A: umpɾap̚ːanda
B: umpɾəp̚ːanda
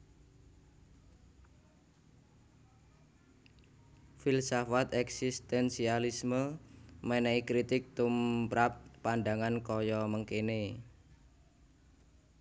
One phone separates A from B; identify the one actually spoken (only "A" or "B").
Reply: A